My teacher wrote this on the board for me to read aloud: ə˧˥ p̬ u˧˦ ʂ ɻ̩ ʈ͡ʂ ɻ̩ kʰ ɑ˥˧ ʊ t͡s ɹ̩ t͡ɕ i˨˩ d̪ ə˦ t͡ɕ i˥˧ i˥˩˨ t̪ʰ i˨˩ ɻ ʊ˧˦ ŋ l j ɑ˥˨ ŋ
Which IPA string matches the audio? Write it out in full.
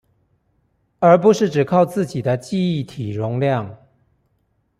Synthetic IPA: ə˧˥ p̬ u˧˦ ʂ ɻ̩ ʈ͡ʂ ɻ̩ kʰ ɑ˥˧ ʊ t͡s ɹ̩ t͡ɕ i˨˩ d̪ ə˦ t͡ɕ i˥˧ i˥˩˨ t̪ʰ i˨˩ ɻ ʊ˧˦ ŋ l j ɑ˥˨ ŋ